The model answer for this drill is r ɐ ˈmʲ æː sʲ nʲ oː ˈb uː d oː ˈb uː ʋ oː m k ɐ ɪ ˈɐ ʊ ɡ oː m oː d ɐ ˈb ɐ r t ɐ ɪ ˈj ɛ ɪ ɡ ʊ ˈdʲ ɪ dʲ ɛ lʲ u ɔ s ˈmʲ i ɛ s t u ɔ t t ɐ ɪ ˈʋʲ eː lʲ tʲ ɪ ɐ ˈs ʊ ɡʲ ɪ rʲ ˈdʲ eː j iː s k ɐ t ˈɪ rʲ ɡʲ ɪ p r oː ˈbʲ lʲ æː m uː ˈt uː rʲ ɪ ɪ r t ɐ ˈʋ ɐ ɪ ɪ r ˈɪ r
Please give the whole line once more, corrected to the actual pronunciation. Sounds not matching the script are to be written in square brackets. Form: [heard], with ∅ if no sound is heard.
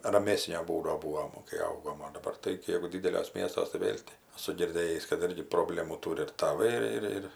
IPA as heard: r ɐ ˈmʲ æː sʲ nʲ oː ˈb uː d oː ˈb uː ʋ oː m k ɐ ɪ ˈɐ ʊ ɡ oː m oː d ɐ ˈb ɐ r t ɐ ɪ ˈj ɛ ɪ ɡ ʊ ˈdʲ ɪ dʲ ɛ lʲ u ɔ s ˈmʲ i ɛ s t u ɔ [s] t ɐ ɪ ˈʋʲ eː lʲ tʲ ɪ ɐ ˈs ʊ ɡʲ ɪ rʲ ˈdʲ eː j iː s k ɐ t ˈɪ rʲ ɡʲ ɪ p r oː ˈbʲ lʲ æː m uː ˈt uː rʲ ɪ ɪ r t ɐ ˈʋ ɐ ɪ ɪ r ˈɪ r